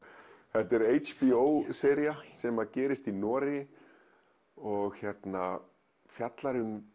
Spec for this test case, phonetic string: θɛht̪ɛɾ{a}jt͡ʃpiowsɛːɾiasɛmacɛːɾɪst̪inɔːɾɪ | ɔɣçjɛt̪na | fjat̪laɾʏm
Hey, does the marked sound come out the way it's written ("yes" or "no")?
no